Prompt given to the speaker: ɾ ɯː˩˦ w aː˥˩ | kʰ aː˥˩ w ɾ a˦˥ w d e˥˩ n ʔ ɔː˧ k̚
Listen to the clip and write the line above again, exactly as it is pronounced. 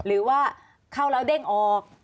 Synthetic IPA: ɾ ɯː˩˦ w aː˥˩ | kʰ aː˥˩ w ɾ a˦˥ w d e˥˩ ŋ ʔ ɔː˧ k̚